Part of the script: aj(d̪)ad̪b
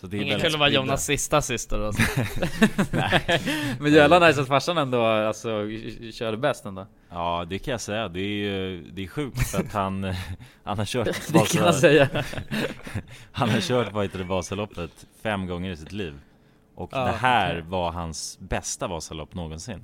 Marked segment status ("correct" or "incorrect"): incorrect